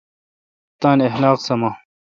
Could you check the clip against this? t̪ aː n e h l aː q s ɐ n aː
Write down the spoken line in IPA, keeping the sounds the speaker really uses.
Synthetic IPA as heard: t̪ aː n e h l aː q s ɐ m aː